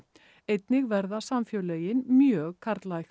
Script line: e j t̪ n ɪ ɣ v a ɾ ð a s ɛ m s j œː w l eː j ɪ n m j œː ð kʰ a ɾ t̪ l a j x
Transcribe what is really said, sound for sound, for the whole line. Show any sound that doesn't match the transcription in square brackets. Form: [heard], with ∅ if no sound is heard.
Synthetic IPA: e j t̪ n ɪ ɣ v [ɛ] ɾ ð a s [a] m [f] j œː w l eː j ɪ n m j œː [ɣ] kʰ a ɾ t̪ l a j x

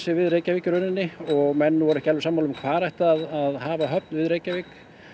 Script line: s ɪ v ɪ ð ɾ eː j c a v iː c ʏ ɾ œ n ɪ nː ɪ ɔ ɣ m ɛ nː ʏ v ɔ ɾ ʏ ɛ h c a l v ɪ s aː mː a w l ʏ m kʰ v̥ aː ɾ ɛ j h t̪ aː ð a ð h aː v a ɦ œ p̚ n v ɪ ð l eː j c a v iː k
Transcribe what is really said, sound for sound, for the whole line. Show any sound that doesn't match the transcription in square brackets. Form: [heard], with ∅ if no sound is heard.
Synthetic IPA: s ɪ v ɪ ð ɾ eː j c a v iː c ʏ ɾ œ n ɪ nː ɪ ɔ ɣ m ɛ nː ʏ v ɔ ɾ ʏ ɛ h c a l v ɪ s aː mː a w l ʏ m kʰ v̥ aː ɾ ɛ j h t̪ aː ð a ð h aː v a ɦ œ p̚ n v ɪ ð [ɾ] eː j c a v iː k

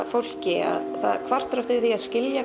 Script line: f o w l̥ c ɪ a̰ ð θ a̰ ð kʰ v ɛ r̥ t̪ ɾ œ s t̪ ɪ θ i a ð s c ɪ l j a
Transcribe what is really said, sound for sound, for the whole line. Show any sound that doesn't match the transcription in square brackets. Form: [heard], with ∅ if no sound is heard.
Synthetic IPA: f o w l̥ c ɪ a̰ ð θ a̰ ð kʰ v [a] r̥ t̪ ɾ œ [f] t̪ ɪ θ i a ð s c ɪ l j a

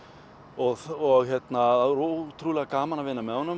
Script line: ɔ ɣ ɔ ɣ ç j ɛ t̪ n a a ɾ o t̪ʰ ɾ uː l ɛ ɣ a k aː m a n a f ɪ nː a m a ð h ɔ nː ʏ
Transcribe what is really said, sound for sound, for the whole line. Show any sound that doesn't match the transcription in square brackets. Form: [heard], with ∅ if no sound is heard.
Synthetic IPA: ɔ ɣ ɔ ɣ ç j ɛ t̪ n a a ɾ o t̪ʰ ɾ uː l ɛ ɣ a k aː m a n a [v] ɪ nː a m [ɛ] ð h ɔ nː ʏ

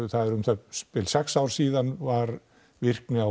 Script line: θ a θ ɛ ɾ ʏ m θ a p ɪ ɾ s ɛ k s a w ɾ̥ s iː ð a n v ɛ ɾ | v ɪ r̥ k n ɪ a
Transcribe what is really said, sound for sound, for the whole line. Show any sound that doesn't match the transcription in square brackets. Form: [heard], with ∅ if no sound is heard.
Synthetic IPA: θ a [ð] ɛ ɾ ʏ m θ a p ɪ [l] s ɛ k s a w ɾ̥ s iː ð a n v [a] ɾ | v ɪ r̥ k n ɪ a

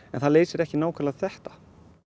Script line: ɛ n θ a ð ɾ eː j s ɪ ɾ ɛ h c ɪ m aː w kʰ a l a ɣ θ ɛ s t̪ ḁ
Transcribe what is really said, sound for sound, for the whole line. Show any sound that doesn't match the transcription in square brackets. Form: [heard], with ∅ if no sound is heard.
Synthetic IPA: ɛ n θ a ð [l] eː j s ɪ ɾ ɛ h c ɪ [n] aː w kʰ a l a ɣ θ ɛ [h] t̪ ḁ

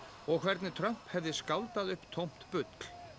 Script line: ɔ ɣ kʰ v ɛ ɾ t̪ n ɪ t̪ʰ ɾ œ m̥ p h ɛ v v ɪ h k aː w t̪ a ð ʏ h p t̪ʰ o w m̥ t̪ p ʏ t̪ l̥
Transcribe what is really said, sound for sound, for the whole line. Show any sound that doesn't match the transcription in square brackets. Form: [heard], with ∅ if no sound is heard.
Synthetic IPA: ɔ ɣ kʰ v ɛ ɾ t̪ n ɪ t̪ʰ ɾ œ m̥ p h ɛ v [ð] ɪ [s] k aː w t̪ a ð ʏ h p t̪ʰ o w m̥ t̪ p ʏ t̪ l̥

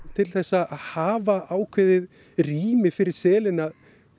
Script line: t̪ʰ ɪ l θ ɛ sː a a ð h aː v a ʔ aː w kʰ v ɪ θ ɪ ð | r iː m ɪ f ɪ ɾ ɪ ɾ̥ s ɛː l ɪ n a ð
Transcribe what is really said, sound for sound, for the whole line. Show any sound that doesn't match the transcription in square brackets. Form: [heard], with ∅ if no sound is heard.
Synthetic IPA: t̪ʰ ɪ l θ ɛ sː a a ð h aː v a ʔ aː w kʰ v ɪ [ð] ɪ ð | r iː m ɪ f ɪ ɾ ɪ ɾ̥ s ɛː l ɪ n a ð

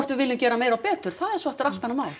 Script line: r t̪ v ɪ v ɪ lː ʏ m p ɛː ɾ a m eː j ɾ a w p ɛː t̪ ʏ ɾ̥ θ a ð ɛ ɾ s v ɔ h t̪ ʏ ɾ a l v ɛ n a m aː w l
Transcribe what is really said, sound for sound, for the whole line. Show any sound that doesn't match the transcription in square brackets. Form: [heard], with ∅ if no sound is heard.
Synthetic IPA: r t̪ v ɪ v ɪ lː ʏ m [c] ɛː ɾ a m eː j ɾ a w p ɛː t̪ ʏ ɾ̥ θ a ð ɛ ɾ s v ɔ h t̪ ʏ ɾ a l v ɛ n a m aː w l

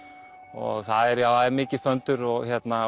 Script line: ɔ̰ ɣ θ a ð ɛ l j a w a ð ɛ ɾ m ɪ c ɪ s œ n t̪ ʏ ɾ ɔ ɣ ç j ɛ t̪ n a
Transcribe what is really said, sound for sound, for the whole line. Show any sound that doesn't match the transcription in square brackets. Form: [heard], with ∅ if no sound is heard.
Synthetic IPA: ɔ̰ ɣ θ a ð ɛ [ɾ] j a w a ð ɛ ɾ m [ɪː] c ɪ [f] œ n t̪ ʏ ɾ ɔ ɣ ç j ɛ t̪ n a

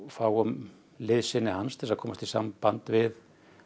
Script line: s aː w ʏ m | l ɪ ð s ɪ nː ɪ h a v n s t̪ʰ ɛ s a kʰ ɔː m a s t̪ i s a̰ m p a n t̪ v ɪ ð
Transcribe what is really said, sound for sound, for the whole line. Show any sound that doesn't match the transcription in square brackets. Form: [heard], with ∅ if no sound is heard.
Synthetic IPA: [f] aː w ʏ m | l ɪ ð s ɪ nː ɪ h a [∅] n s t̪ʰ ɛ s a kʰ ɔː m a s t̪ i s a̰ m p a n t̪ v ɪ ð

